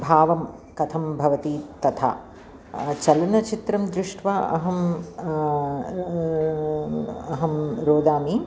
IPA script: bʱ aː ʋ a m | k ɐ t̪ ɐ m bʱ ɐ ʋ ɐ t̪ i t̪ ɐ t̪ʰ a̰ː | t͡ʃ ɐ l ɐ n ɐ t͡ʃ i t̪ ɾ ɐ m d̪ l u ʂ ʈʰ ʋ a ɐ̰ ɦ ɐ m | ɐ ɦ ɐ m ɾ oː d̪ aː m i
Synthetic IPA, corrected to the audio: bʱ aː ʋ ɐ m | k ɐ t̪ʰ ɐ m bʱ ɐ ʋ ɐ t̪ i t̪ ɐ t̪ʰ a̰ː | t͡ʃ ɐ l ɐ n ɐ t͡ʃ i t̪ ɾ ɐ m d̪ ɾ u ʂ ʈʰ ʋ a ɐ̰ ɦ ɐ m | ɐ ɦ ɐ m ɾ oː d̪ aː m i